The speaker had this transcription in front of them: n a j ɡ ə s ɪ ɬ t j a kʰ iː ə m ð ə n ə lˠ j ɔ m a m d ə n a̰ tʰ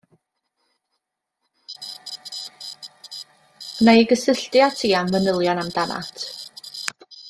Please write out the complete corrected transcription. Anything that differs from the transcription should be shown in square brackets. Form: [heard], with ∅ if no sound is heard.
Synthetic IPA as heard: n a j ɡ ə s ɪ ɬ t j a [tʰ] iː [a] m [v] ə n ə lˠ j ɔ [n] a m d [a] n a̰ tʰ